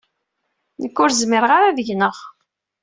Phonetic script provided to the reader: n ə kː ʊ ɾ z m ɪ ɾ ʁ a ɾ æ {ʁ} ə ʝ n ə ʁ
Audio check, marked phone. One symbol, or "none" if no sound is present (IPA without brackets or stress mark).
v